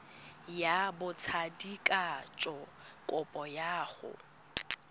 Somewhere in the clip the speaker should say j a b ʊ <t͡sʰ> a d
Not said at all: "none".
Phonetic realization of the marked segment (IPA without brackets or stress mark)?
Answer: t͡sʰ